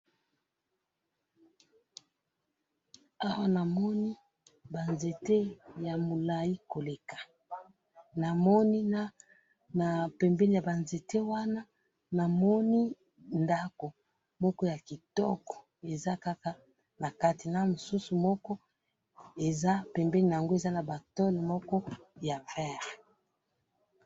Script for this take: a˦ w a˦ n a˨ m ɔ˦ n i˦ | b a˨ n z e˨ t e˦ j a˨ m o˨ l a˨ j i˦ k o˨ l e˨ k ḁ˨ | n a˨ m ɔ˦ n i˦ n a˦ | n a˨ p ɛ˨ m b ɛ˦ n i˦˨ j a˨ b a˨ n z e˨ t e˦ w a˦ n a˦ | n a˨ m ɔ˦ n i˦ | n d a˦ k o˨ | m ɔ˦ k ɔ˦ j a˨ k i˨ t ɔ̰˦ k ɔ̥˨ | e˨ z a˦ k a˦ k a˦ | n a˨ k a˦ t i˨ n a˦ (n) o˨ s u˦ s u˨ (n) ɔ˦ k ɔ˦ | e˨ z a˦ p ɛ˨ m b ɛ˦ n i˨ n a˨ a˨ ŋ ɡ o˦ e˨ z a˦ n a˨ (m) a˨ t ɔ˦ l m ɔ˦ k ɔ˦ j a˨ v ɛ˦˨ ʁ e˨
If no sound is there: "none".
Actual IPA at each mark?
m, m, b

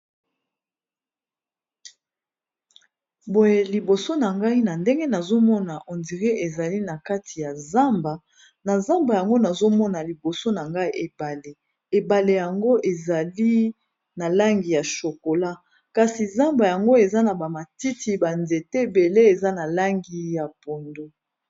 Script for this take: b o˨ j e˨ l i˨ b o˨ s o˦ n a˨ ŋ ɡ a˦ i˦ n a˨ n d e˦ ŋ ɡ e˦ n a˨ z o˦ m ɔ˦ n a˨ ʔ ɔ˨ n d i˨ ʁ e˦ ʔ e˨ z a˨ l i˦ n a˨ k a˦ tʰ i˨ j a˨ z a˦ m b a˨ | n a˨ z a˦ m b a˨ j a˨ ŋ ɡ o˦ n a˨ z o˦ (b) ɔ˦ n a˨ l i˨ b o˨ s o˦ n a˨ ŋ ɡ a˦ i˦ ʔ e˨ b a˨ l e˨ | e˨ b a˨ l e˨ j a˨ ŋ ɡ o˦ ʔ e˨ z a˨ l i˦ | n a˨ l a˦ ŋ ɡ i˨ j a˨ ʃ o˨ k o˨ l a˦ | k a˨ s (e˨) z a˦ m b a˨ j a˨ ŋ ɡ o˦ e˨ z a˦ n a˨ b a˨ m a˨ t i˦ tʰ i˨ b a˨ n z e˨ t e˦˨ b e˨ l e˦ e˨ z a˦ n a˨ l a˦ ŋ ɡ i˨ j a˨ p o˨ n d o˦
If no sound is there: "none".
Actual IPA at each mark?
m, i˨

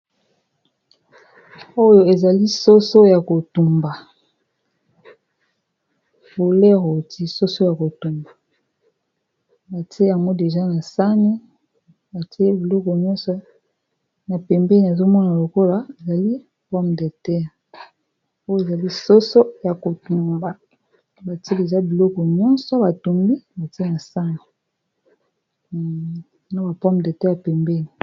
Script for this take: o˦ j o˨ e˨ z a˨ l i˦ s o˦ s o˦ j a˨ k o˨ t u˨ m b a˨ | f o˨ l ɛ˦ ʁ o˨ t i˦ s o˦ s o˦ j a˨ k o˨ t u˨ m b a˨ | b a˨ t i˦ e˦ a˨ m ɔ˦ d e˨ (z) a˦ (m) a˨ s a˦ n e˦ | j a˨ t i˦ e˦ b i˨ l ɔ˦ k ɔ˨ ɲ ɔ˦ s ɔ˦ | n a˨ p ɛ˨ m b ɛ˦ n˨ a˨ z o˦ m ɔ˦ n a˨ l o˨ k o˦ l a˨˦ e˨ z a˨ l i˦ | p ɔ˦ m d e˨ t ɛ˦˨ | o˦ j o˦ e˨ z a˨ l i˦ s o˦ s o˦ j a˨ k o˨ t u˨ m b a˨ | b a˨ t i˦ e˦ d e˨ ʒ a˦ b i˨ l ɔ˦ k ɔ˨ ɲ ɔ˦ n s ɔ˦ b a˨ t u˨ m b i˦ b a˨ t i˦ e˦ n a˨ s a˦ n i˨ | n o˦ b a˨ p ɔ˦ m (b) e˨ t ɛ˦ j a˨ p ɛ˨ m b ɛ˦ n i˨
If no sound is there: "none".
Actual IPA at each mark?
ʒ, n, d

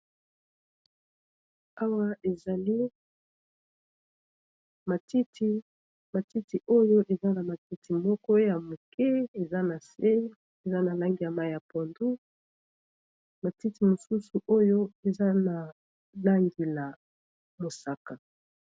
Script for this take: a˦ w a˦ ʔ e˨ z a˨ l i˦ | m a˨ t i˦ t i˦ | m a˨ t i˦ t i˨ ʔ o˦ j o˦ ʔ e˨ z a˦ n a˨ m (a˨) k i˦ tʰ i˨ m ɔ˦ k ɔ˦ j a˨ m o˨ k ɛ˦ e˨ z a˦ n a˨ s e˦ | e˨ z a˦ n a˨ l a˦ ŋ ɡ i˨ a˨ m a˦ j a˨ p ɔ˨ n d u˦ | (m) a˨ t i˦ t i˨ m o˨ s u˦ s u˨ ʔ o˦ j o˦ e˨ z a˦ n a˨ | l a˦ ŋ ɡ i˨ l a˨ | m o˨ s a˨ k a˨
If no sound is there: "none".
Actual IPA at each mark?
a˨, m

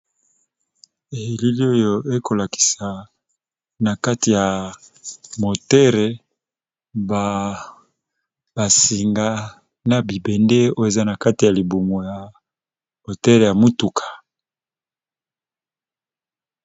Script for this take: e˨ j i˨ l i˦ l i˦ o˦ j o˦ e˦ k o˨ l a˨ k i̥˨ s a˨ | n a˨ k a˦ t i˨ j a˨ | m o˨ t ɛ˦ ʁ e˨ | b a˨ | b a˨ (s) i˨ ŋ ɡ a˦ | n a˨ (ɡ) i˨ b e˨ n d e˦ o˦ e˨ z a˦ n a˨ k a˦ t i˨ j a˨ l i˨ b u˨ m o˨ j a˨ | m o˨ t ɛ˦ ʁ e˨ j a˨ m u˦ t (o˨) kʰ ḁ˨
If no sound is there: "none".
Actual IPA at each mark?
s, b, u˨

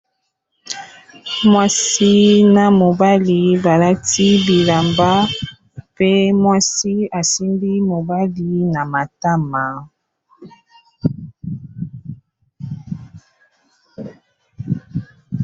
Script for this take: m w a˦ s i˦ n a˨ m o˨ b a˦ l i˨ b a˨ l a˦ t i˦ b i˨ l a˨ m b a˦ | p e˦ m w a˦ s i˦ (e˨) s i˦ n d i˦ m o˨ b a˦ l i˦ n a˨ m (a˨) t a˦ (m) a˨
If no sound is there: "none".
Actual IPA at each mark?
a˨, a˨, m

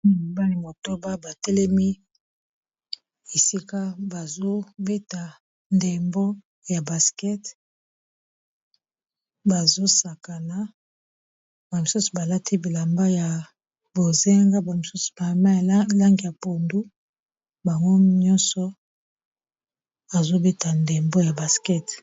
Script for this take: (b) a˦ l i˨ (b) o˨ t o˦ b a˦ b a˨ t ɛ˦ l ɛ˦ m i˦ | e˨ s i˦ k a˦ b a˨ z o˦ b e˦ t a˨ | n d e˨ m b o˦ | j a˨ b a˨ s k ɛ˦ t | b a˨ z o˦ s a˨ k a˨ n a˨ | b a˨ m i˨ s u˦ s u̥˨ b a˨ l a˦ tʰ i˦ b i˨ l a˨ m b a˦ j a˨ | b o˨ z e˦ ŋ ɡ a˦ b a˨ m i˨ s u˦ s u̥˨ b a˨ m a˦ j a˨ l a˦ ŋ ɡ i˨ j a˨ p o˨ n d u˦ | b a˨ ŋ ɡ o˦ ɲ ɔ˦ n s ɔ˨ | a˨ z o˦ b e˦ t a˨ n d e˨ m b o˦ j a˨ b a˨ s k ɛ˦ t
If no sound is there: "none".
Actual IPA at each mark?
b, m

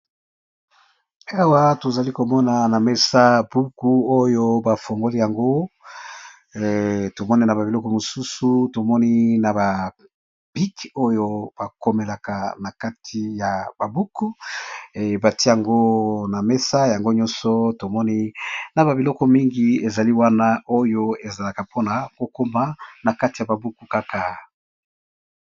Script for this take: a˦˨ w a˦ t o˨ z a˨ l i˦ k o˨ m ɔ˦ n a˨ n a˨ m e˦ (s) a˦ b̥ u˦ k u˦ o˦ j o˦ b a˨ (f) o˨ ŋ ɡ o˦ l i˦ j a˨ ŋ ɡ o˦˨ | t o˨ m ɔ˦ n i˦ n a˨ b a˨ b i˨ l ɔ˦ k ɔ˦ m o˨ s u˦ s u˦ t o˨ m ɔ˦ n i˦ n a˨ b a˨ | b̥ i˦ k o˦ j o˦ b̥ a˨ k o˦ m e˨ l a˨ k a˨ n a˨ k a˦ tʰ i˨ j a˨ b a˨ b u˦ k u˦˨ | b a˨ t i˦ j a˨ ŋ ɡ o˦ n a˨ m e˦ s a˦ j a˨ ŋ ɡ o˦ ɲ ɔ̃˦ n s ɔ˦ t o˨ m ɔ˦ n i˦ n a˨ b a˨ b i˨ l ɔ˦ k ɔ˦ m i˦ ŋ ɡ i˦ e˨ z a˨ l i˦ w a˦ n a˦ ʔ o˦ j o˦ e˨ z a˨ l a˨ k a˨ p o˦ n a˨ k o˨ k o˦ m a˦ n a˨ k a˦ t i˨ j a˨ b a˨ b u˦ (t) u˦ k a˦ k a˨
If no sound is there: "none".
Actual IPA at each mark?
s, f, k

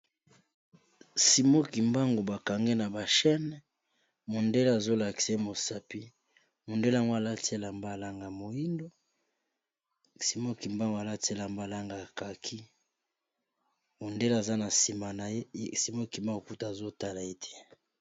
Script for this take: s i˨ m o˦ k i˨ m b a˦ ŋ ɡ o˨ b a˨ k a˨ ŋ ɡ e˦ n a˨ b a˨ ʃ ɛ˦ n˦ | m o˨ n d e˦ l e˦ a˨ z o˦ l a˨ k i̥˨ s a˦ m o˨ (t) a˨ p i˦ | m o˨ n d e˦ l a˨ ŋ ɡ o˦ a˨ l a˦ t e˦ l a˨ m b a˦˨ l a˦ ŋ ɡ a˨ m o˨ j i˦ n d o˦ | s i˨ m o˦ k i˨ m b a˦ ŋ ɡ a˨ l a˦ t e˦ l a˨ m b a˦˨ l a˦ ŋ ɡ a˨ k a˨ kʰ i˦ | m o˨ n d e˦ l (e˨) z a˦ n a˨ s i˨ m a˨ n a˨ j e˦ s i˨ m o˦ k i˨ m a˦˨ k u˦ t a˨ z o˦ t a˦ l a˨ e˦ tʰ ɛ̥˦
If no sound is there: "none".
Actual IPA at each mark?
s, a˨

